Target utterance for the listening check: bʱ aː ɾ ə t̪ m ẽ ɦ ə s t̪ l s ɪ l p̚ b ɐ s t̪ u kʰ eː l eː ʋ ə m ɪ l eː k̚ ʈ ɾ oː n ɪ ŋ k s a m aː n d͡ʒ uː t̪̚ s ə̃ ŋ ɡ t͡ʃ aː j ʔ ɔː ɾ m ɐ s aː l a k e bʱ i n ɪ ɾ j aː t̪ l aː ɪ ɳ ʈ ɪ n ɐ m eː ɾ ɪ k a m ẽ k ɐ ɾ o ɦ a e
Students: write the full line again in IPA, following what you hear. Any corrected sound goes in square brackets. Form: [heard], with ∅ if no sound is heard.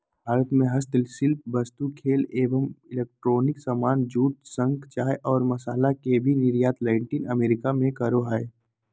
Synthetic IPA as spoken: bʱ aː ɾ ə t̪ m ẽ ɦ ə s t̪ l s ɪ l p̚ b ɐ s t̪ u kʰ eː l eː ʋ ə m ɪ l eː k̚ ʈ ɾ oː n ɪ [∅] k s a m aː n d͡ʒ uː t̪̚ s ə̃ ŋ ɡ t͡ʃ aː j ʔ ɔː ɾ m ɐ s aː l a k e bʱ i n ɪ ɾ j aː t̪ l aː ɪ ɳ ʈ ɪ n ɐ m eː ɾ ɪ k a m ẽ k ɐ ɾ o ɦ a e